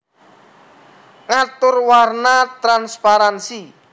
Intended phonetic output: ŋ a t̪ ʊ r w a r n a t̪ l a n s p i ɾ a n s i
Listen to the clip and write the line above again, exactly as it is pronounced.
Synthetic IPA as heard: ŋ a t̪ ʊ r w a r n a t̪ ɾ a n s p a ɾ a n s i